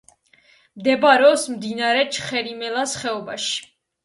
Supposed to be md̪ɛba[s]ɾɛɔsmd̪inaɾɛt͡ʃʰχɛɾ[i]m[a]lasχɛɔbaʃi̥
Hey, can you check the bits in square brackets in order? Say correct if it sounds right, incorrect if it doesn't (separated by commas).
incorrect, correct, incorrect